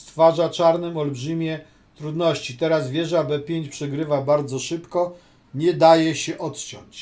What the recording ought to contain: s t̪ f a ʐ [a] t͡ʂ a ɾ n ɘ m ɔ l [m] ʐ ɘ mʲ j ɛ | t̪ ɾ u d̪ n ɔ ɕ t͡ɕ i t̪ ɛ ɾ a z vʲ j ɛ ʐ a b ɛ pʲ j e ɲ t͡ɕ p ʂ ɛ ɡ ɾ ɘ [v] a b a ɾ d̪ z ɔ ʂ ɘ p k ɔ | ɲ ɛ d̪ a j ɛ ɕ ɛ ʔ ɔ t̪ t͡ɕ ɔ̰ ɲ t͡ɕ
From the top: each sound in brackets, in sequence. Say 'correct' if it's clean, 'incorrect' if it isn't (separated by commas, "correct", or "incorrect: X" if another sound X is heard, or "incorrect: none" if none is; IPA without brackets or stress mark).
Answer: correct, incorrect: b, correct